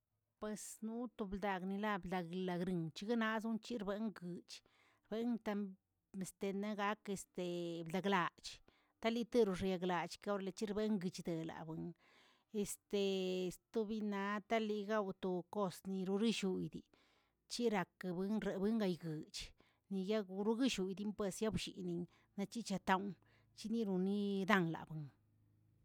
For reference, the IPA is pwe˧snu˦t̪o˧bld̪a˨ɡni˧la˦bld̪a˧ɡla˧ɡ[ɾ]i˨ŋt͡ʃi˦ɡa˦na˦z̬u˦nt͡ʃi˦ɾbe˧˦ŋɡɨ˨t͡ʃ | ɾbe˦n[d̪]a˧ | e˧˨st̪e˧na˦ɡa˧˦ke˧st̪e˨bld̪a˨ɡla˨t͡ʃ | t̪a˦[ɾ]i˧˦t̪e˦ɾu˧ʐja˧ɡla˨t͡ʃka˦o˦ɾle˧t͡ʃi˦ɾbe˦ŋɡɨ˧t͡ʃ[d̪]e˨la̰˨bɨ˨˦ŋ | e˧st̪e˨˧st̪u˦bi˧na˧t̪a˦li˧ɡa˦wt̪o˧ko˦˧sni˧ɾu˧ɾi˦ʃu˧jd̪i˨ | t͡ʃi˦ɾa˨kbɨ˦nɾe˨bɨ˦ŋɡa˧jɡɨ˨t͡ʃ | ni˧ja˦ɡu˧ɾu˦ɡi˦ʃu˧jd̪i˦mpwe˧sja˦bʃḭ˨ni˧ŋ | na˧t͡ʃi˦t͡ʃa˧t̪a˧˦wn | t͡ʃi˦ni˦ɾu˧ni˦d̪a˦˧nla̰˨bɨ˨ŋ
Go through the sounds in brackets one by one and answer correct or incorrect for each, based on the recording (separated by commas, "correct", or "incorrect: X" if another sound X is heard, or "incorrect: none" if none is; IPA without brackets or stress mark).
correct, incorrect: t̪, incorrect: l, correct